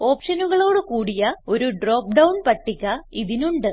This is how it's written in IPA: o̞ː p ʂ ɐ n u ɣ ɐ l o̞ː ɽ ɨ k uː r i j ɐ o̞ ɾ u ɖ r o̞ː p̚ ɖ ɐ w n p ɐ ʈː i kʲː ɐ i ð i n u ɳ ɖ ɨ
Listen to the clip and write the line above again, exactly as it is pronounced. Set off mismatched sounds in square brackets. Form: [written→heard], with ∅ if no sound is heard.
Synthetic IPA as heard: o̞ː p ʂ ɐ n u ɣ ɐ [l→ɭ] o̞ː ɽ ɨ k uː [r→ɽ] i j ɐ o̞ ɾ u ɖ r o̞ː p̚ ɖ ɐ w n p ɐ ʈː i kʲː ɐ i ð i n u ɳ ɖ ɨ